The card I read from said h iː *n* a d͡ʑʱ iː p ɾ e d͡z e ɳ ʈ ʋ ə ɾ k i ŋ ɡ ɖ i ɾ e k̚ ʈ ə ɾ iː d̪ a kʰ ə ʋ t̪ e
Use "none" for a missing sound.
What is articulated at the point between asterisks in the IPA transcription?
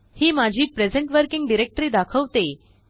m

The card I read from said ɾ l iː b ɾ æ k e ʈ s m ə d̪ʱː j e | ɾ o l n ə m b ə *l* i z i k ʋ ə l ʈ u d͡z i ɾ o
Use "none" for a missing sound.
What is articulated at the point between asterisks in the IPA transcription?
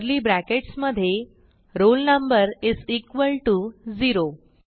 ɾ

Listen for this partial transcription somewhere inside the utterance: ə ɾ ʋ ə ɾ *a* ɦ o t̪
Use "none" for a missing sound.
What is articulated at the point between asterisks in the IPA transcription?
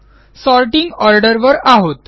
a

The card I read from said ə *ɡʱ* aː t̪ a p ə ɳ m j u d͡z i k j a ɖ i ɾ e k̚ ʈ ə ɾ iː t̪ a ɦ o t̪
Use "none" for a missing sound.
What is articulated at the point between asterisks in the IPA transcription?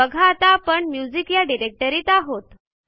ɡʱ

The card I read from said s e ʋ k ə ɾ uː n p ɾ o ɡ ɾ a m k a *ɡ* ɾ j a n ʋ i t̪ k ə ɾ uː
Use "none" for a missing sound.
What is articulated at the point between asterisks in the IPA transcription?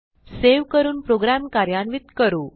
none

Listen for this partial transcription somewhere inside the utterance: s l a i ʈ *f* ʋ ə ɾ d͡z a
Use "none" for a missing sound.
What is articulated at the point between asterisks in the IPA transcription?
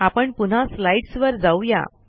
s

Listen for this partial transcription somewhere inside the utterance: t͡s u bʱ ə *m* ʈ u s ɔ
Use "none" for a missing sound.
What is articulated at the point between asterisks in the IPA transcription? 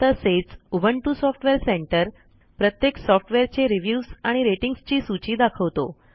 ɳ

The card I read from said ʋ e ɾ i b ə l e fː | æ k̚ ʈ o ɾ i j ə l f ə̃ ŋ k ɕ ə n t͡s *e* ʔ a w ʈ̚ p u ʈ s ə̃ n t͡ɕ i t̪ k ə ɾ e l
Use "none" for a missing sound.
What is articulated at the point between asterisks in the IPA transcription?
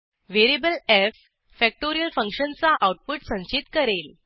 a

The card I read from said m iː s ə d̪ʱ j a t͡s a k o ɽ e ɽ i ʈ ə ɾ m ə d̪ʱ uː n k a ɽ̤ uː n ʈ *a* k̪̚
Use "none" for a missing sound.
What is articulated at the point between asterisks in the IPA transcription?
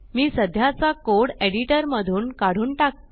a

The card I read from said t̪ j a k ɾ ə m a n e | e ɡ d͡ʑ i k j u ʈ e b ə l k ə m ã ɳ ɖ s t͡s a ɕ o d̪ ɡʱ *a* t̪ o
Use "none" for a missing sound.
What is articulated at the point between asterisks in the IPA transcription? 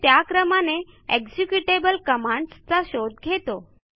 e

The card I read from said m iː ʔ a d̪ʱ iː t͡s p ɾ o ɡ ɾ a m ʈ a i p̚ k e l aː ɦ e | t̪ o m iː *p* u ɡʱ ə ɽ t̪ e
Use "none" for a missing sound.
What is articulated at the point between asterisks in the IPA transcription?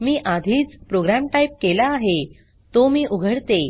ʔ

